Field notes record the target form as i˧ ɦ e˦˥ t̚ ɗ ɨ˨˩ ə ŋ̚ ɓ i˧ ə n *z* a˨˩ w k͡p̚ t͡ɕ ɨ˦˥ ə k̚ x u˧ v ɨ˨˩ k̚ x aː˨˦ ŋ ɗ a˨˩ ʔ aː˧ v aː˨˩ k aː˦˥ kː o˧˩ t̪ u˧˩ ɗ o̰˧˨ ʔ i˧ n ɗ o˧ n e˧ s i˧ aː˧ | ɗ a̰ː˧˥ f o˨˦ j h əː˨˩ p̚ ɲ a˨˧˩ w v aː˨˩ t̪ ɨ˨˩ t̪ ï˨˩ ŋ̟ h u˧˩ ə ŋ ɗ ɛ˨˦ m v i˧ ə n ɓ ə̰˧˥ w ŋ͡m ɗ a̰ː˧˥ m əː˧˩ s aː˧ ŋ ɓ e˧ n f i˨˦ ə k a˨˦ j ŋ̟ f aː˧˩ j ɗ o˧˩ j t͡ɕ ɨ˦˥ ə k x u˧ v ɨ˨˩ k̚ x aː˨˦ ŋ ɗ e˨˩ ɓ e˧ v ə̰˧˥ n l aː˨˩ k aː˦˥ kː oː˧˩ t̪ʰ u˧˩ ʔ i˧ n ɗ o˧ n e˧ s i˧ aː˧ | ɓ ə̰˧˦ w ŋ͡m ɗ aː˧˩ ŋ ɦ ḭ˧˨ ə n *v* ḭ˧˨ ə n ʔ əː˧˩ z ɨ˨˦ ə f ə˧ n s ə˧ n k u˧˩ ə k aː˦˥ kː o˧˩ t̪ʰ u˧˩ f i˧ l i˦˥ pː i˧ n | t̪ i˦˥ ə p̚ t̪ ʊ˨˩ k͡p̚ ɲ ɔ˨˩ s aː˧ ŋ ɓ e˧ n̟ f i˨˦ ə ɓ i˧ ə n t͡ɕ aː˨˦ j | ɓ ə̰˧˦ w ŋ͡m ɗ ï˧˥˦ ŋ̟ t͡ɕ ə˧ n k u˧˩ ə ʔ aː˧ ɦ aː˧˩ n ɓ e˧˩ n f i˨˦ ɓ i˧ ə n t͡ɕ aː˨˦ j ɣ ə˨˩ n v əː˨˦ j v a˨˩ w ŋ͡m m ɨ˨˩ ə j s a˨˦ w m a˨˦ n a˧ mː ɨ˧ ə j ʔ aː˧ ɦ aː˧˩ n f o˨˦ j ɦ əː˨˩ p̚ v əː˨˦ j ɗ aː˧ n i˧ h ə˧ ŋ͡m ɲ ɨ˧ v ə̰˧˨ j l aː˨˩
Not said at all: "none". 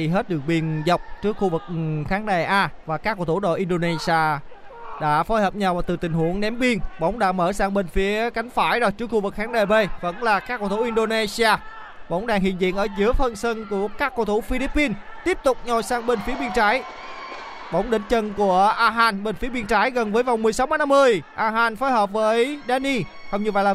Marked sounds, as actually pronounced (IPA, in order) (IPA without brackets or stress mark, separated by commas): z, z